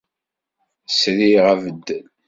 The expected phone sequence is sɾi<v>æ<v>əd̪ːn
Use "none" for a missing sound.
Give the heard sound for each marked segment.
ʁ, v

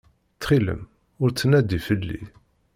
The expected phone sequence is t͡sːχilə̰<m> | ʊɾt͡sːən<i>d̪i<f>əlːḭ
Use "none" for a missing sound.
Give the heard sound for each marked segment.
m, æ, f

